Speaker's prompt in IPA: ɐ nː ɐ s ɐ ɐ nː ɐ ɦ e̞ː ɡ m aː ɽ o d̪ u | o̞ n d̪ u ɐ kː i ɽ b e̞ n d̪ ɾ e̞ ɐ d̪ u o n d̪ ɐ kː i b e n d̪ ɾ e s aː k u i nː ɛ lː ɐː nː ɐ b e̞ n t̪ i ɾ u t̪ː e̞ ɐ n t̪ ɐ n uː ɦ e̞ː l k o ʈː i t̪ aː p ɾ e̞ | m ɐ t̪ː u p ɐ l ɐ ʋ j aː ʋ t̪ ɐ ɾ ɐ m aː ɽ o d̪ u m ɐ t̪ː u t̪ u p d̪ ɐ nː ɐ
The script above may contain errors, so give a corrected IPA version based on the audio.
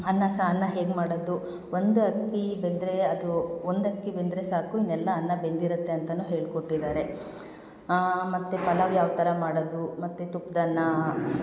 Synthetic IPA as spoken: ɐ nː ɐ s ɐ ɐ nː ɐ ɦ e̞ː ɡ m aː ɽ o d̪ u | o̞ n d̪ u ɐ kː i b e̞ n d̪ ɾ e̞ ɐ d̪ u o n d̪ ɐ kː i b e n d̪ ɾ e s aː k u i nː ɛ lː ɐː nː ɐ b e̞ n d̪ i ɾ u t̪ː e̞ ɐ n t̪ ɐ n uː ɦ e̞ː ɭ k o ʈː i d̪ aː ɾ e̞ | m ɐ t̪ː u p ɐ l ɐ ʋ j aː ʋ t̪ ɐ ɾ ɐ m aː ɽ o d̪ u m ɐ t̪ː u t̪ u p d̪ ɐ nː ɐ